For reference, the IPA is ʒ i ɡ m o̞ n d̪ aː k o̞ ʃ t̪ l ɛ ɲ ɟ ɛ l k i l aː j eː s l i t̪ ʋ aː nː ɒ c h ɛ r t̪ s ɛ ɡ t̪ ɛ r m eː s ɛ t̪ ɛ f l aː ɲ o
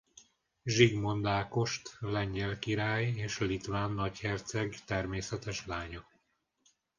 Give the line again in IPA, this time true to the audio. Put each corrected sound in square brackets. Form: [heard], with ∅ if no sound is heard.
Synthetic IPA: ʒ i ɡ m o̞ n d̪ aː k o̞ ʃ t̪ l ɛ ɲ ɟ ɛ l k i [ɾ] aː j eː [ʃ] l i t̪ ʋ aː nː ɒ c h ɛ r t̪ s ɛ ɡ t̪ ɛ r m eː s ɛ t̪ ɛ [ʃ] l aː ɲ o

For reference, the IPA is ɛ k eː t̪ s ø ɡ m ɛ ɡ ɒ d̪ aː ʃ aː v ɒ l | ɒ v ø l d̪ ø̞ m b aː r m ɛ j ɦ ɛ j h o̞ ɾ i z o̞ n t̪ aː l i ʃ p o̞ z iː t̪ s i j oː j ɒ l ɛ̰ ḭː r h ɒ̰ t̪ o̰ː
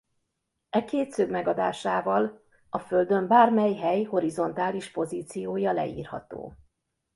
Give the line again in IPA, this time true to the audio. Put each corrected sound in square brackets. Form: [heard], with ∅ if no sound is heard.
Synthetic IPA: ɛ k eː t̪ s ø ɡ m ɛ ɡ ɒ d̪ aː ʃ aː v ɒ l | ɒ [f] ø l d̪ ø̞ m b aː r m ɛ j ɦ ɛ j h o̞ ɾ i z o̞ n t̪ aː l i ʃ p o̞ z iː t̪ s i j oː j ɒ l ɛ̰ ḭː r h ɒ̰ t̪ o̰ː

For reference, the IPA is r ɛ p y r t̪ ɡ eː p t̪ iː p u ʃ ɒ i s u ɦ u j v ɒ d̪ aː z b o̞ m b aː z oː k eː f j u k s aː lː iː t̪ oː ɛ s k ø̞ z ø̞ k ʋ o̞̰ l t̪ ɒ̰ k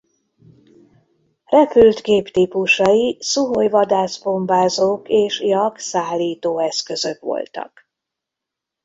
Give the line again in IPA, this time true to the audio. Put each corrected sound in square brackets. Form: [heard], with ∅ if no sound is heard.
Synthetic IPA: r ɛ p y [l] t̪ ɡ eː p t̪ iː p u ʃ ɒ i s u ɦ [o] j v ɒ d̪ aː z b o̞ m b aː z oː k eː [ʃ] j [ɒ] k s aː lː iː t̪ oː ɛ s k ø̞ z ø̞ k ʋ o̞̰ l t̪ ɒ̰ k

